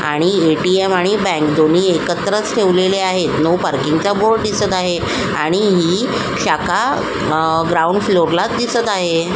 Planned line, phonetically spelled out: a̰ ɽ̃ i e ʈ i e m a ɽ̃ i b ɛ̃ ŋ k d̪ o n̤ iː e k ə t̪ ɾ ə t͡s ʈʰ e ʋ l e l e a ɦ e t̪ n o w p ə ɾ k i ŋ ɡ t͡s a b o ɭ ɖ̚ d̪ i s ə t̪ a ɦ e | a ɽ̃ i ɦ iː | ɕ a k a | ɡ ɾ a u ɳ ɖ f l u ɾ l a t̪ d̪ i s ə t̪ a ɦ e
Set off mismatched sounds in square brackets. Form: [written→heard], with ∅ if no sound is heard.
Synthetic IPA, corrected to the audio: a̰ ɽ̃ i e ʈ i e m a ɽ̃ i b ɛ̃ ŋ k d̪ o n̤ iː e k ə t̪ ɾ ə t͡s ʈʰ e ʋ l e l e a ɦ e t̪ n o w p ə ɾ k i ŋ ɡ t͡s a b o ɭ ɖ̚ d̪ i s ə t̪ a ɦ e | a ɽ̃ i ɦ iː | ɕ a k a | ɡ ɾ a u ɳ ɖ f l [u→o] ɾ l a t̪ d̪ i s ə t̪ a ɦ e